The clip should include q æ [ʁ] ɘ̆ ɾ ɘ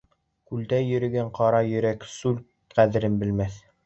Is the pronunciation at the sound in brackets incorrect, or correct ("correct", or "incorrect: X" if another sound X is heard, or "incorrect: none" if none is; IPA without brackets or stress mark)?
incorrect: ð